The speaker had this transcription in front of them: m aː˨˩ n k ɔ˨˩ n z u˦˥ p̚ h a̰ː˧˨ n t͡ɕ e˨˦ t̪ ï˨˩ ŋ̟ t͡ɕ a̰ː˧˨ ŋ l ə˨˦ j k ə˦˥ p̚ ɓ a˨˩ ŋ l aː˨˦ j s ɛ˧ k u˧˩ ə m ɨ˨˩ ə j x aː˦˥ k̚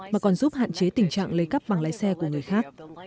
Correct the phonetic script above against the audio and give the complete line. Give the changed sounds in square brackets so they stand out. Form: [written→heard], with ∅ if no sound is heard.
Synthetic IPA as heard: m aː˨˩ [n→∅] k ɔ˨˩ n z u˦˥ p̚ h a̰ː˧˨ n t͡ɕ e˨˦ t̪ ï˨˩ ŋ̟ t͡ɕ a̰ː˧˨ ŋ l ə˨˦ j k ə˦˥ p̚ ɓ a˨˩ ŋ l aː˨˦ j s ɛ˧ k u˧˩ ə [m→ŋ] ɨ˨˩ ə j x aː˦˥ k̚

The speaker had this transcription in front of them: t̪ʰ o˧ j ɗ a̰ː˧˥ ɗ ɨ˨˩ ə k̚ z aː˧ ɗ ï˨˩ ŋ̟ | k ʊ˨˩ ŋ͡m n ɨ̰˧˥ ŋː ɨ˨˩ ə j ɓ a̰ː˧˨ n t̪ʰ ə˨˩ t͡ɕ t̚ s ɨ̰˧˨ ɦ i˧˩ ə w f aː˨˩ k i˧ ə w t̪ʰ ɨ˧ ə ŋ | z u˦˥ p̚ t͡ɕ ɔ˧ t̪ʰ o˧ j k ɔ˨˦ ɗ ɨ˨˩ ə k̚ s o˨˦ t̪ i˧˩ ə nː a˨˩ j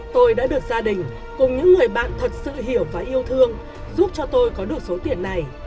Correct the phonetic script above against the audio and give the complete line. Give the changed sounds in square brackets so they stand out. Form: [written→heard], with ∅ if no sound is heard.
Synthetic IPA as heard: [t̪ʰ→t̪] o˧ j ɗ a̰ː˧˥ ɗ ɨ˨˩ ə k̚ z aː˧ ɗ ï˨˩ ŋ̟ | k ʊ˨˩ ŋ͡m [n→ɲ] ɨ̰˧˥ ŋː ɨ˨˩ ə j ɓ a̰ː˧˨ n t̪ʰ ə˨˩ [t͡ɕ→∅] t̚ s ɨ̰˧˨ ɦ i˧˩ ə w [f→v] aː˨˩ [k→ʔ] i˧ ə w t̪ʰ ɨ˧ ə ŋ | z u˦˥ p̚ t͡ɕ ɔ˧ [t̪ʰ→t̪] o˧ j k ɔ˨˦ ɗ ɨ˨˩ ə k̚ s o˨˦ t̪ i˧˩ ə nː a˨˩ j

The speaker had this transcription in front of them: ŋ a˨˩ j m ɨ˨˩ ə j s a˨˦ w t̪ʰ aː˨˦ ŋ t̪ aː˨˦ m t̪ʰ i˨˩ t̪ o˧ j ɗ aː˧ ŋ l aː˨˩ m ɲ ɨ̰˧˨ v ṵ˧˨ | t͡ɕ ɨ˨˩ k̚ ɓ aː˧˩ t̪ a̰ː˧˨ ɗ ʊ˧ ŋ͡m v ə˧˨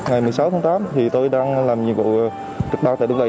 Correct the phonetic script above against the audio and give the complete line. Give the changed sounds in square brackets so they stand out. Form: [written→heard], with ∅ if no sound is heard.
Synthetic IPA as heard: ŋ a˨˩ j m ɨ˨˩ ə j s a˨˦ w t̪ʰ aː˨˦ ŋ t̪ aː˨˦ m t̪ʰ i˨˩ t̪ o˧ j ɗ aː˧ ŋ l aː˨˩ m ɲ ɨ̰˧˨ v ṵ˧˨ | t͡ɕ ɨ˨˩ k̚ ɓ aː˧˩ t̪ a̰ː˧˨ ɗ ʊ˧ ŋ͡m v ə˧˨

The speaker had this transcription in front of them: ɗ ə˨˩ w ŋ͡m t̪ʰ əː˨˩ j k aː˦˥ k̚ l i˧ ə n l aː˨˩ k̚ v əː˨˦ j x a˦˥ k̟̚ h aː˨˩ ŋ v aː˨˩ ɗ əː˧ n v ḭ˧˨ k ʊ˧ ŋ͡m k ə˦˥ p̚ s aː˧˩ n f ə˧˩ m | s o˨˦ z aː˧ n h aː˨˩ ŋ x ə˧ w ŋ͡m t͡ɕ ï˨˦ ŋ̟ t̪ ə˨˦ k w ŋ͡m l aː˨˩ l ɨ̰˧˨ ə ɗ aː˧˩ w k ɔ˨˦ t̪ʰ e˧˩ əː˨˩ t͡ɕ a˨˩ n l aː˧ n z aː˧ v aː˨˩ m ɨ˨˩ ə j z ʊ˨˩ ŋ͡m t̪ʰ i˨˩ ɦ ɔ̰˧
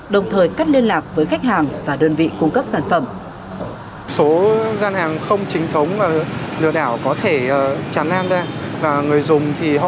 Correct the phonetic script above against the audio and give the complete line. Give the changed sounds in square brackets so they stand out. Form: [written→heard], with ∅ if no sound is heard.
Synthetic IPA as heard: ɗ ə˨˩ w ŋ͡m t̪ʰ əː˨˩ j k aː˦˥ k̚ l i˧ ə n l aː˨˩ k̚ v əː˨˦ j x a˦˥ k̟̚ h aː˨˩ ŋ v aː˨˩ ɗ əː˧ n v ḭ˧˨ k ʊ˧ ŋ͡m k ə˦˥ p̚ s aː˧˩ n f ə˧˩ m | s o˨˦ z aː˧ n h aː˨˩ ŋ x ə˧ w ŋ͡m t͡ɕ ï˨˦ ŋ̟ [t̪→t̪ʰ] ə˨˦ [k→∅] w ŋ͡m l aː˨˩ l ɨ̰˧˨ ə ɗ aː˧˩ w k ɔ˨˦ t̪ʰ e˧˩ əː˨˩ t͡ɕ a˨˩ n l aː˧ n z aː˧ v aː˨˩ [m→ŋ] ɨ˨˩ ə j z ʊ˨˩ ŋ͡m t̪ʰ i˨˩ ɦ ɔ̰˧

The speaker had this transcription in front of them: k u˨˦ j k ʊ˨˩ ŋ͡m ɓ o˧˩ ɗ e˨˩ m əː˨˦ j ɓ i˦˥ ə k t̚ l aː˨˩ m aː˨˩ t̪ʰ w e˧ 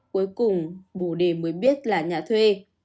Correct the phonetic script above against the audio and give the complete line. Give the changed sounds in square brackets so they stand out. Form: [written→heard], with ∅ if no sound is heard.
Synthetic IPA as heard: k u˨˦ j k ʊ˨˩ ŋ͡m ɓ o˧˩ ɗ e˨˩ m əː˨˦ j ɓ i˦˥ ə [k→∅] t̚ l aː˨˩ [m→ɲ] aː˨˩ t̪ʰ w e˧

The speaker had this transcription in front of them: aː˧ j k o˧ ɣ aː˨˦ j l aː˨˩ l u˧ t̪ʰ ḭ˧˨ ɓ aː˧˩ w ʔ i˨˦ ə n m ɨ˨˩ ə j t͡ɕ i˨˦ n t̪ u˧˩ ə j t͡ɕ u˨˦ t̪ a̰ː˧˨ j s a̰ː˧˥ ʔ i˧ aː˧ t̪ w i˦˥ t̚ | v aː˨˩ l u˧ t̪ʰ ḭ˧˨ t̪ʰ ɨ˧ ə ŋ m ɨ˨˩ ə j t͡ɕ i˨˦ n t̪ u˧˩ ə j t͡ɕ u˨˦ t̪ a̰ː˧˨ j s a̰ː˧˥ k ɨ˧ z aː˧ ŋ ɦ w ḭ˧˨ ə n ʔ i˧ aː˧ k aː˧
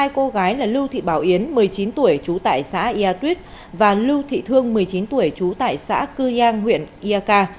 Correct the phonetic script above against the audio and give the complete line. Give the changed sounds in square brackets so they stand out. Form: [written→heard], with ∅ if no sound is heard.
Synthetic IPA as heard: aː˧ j k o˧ ɣ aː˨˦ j l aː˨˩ l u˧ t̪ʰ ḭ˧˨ ɓ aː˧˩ w ʔ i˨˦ ə n m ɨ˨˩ ə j t͡ɕ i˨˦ n t̪ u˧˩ ə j t͡ɕ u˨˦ t̪ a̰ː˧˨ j s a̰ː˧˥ ʔ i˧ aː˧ t̪ w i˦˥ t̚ | v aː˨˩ l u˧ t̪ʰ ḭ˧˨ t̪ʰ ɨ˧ ə ŋ m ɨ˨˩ ə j t͡ɕ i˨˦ n t̪ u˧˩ ə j t͡ɕ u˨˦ t̪ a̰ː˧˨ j s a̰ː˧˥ k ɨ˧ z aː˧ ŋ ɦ w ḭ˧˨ ə n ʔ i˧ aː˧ k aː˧

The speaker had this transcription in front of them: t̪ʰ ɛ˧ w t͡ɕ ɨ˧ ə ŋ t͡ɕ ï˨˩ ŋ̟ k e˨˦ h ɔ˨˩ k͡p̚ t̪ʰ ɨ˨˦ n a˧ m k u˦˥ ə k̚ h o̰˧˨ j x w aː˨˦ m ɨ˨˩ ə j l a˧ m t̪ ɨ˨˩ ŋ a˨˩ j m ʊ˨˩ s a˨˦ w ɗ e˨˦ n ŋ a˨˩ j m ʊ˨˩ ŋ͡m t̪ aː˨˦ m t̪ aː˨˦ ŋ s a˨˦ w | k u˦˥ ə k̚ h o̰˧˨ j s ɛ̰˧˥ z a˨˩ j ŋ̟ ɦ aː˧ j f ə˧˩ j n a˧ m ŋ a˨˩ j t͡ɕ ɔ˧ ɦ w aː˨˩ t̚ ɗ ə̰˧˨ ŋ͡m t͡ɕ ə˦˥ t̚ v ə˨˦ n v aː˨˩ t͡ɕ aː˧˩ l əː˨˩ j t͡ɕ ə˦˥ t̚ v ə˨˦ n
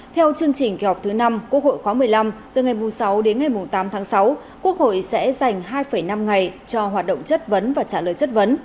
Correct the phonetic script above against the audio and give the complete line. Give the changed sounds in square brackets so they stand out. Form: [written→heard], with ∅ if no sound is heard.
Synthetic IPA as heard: t̪ʰ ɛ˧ w t͡ɕ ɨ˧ ə ŋ t͡ɕ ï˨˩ ŋ̟ k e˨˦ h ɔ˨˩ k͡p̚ t̪ʰ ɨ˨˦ n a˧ m k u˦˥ ə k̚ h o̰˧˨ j x w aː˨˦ m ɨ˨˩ ə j l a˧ m t̪ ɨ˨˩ ŋ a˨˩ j m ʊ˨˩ s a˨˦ w ɗ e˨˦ n ŋ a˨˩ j m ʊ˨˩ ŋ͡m t̪ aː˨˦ m [t̪→t̪ʰ] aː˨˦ ŋ s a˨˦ w | k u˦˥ ə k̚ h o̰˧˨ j s ɛ̰˧˥ z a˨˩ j ŋ̟ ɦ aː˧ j f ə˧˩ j n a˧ m ŋ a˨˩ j t͡ɕ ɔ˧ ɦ w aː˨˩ t̚ ɗ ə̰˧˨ ŋ͡m t͡ɕ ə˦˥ t̚ v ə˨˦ n v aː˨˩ t͡ɕ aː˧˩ l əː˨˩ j t͡ɕ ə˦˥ t̚ v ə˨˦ n

